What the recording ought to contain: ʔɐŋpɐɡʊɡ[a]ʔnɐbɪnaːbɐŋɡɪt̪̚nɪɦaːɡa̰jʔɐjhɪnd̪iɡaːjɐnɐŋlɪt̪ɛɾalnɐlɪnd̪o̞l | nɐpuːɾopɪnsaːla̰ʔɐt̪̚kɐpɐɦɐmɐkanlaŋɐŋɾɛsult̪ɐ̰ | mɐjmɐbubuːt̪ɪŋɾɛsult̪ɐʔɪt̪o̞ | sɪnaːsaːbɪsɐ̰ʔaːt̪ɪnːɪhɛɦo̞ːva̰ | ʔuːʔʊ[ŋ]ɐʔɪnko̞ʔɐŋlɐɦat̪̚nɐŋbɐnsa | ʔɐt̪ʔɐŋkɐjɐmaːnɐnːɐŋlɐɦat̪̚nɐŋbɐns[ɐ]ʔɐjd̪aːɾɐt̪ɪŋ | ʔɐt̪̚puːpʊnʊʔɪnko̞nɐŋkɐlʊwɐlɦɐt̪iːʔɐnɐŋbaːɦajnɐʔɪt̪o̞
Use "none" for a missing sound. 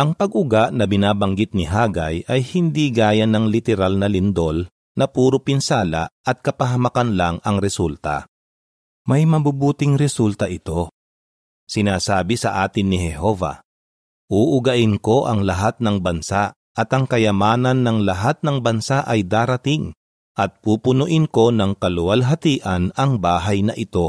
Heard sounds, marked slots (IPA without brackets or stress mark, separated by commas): a, ɡ, a